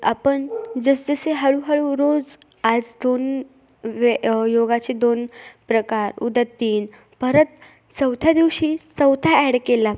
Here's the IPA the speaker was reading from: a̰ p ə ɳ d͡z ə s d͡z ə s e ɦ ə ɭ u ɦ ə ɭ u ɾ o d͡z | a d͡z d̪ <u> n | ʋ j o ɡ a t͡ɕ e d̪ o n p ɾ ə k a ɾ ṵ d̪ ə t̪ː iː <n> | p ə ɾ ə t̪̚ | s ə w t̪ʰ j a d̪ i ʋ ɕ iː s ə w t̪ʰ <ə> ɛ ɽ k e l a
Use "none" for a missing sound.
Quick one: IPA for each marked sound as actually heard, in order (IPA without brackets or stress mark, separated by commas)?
o, n, a